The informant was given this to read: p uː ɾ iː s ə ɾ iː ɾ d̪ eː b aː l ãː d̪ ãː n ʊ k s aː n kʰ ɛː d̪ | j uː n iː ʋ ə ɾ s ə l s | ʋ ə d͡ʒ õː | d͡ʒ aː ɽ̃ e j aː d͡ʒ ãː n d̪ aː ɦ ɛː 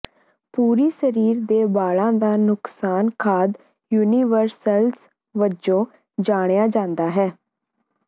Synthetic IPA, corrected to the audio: p uː ɾ iː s ə ɾ iː ɾ d̪ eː b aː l ãː d̪ aː n ʊ k s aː n kʰ aː d̪ | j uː n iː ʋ ə ɾ s ə l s | ʋ ə d͡ʒ õː | d͡ʒ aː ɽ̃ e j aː d͡ʒ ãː n d̪ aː ɦ ɛː